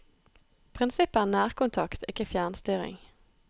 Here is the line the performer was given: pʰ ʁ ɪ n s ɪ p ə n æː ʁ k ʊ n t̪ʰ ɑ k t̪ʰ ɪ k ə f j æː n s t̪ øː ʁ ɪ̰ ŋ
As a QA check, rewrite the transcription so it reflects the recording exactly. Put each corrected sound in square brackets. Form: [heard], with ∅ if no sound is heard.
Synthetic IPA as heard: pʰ ʁ ɪ n s ɪ p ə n æː ʁ k ʊ n t̪ʰ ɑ k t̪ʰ ɪ k ə f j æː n s t̪ [yː] ʁ ɪ̰ ŋ